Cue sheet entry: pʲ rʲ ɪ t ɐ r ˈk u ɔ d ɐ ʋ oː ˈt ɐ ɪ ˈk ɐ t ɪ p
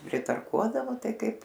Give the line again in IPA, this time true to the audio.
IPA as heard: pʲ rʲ ɪ t ɐ r ˈk u ɔ d ɐ ʋ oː ˈt ɐ ɪ ˈk ɐ ɪ p